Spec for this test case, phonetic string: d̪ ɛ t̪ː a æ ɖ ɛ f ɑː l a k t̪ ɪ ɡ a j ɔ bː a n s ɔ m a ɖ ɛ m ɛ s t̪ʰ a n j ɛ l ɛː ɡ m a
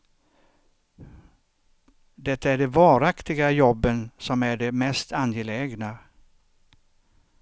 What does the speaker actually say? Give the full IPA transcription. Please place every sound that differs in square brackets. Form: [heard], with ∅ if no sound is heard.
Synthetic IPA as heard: d̪ ɛ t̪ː a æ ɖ ɛ [v] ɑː [ɾ] a k t̪ ɪ ɡ a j ɔ bː [ə] n s ɔ m [æ] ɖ ɛ m ɛ s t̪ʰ a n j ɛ l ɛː ɡ [n] a